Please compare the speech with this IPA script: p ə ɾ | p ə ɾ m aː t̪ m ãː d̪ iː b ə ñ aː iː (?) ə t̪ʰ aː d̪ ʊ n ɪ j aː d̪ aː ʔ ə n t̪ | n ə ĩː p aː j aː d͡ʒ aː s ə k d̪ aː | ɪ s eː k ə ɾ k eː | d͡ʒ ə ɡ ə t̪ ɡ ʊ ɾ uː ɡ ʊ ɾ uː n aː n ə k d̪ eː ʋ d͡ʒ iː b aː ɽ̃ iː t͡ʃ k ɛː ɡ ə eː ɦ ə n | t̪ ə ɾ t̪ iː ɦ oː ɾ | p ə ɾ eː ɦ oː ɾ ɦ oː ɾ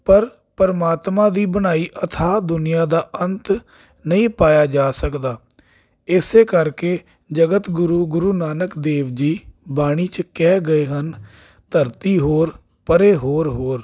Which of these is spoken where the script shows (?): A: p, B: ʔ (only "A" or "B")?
B